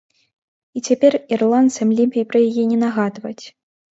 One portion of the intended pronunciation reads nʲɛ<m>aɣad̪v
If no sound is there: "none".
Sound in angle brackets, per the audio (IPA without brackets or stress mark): n